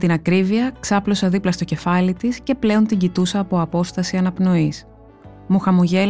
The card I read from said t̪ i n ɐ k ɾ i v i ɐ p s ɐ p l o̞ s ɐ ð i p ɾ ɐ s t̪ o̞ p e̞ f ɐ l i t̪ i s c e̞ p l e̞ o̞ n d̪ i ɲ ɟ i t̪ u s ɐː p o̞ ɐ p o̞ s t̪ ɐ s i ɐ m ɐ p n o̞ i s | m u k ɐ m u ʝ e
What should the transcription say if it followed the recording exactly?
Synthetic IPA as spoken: t̪ i n ɐ k ɾ i v i ɐ k s ɐ p l o̞ s ɐ ð i p l ɐ s t̪ o̞ c e̞ f ɐ l i t̪ i s c e̞ p l e̞ o̞ n t̪ i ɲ ɟ i t̪ u s ɐː p o̞ ɐ p o̞ s t̪ ɐ s i ɐ n ɐ p n o̞ i s | m u x ɐ m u ʝ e